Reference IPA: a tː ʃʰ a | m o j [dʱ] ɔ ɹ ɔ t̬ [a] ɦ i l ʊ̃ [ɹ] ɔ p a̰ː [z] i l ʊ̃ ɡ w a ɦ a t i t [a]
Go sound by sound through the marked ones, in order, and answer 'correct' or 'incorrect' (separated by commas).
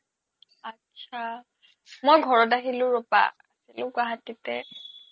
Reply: incorrect, correct, correct, incorrect, incorrect